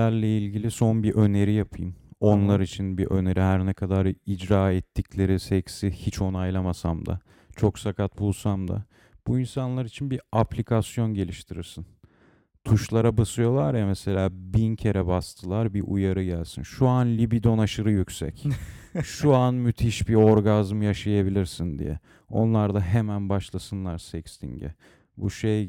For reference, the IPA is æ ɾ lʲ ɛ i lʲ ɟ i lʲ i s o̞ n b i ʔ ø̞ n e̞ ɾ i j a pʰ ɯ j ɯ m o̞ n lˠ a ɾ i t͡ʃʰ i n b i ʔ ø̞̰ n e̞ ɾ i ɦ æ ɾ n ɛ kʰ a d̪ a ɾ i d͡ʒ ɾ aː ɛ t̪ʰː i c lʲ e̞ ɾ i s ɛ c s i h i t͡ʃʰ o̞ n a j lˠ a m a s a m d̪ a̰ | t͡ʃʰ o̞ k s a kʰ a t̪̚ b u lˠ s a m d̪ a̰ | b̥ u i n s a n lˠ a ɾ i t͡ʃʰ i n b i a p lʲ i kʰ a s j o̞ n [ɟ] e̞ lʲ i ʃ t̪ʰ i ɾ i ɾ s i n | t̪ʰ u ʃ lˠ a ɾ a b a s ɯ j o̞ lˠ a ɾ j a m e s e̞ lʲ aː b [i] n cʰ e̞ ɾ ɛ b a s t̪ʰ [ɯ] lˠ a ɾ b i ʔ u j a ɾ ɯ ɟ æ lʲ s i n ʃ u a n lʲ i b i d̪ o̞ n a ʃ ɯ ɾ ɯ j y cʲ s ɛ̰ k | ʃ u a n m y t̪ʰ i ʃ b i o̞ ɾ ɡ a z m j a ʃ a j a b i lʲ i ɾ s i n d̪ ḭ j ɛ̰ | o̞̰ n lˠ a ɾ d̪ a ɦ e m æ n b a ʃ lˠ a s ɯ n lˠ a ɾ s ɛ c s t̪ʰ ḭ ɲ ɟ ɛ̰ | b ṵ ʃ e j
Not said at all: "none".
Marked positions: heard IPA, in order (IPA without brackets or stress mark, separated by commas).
ɟ, i, ɯ